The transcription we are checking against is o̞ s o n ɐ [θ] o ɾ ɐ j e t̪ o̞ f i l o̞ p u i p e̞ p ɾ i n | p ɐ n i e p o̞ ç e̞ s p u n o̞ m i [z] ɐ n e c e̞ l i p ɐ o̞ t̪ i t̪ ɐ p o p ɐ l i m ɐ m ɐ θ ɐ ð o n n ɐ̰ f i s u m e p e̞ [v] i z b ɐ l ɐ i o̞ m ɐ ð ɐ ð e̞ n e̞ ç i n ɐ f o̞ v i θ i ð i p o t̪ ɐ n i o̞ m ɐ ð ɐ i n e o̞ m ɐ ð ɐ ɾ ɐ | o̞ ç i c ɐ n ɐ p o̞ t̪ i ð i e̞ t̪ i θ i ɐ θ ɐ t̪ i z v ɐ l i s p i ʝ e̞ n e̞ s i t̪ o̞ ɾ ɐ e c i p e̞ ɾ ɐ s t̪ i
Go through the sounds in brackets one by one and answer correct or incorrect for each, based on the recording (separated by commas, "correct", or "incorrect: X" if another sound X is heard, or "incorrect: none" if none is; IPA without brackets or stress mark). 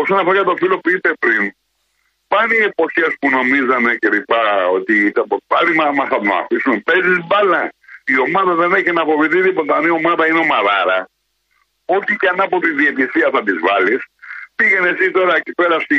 incorrect: f, correct, incorrect: z